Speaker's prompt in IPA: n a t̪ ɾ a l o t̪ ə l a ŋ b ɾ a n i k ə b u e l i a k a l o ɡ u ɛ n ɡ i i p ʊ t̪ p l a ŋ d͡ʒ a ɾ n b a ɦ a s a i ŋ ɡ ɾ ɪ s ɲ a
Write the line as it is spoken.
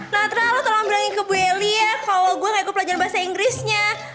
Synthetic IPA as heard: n a t̪ ɾ a l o t̪ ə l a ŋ b ɾ a ŋ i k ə b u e l i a k a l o ɡ u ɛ ŋ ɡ a i k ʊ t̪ p l a ɲ d͡ʒ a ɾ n b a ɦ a s a i ŋ ɡ ɾ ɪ s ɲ a